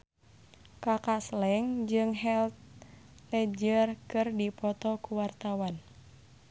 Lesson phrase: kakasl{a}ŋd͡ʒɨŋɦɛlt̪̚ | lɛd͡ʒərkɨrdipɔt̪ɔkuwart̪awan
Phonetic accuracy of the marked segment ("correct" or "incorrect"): incorrect